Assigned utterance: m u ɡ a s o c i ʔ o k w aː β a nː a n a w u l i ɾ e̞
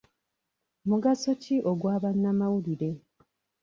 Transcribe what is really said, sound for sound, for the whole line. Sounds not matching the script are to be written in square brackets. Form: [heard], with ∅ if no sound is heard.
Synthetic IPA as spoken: m u ɡ a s o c i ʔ o [ɡ] w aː β a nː a [m] a w u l i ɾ e̞